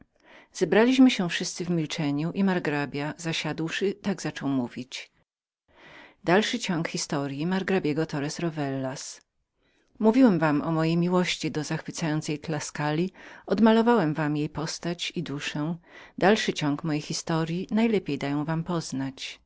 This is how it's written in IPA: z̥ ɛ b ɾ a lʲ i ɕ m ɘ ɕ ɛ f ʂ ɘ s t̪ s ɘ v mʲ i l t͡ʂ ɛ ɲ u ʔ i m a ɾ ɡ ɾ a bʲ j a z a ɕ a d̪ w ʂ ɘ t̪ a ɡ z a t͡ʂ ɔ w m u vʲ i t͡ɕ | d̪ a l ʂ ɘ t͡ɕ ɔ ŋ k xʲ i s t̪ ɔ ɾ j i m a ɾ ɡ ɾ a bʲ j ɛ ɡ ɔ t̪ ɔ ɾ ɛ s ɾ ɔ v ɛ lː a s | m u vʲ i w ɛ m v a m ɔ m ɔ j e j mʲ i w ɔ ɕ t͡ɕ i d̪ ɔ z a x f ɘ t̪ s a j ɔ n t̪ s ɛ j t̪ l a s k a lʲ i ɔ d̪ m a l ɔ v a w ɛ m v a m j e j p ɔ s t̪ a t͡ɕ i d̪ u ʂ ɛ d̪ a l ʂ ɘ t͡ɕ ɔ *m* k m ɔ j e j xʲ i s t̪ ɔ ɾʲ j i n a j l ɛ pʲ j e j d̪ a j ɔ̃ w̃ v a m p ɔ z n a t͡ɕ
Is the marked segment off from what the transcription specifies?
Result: yes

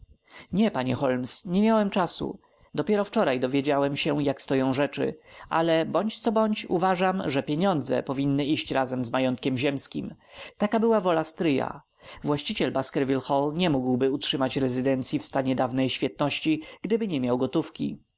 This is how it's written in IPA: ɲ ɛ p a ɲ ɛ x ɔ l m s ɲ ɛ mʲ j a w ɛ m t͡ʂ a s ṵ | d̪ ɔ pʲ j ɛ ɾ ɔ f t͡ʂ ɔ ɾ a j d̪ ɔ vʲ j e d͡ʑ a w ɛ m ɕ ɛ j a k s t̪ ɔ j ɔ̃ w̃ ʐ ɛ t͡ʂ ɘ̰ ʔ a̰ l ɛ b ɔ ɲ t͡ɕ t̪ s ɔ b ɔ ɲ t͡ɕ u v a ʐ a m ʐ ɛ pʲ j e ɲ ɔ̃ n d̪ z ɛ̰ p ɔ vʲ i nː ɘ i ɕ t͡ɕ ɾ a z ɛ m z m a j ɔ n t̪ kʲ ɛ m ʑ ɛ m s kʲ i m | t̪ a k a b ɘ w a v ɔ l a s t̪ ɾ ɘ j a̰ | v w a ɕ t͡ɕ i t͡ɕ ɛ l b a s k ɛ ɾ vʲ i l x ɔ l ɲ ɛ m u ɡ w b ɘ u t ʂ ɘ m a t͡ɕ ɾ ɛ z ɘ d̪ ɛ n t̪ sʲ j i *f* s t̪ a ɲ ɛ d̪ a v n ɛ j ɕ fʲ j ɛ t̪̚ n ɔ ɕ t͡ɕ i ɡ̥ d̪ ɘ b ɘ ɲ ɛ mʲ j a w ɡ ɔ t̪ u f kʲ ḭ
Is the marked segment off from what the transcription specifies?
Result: no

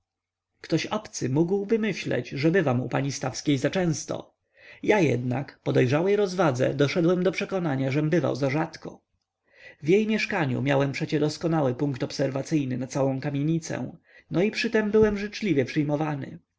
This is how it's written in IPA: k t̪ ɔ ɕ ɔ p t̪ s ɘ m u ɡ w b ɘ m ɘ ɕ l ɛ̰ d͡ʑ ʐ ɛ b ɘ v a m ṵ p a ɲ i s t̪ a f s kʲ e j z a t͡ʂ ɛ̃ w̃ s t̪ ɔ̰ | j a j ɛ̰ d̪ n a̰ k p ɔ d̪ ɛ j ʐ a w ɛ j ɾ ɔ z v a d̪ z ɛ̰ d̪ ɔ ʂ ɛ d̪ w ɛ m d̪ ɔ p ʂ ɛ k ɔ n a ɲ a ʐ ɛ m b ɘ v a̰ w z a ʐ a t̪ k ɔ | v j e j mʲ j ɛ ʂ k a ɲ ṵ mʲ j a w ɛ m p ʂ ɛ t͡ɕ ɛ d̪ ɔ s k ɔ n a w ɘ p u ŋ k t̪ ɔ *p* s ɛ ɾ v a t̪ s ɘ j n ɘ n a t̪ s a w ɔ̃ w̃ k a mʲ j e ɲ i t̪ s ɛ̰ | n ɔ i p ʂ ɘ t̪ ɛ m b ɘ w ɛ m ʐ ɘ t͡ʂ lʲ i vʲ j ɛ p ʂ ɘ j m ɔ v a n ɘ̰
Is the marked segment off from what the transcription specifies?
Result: no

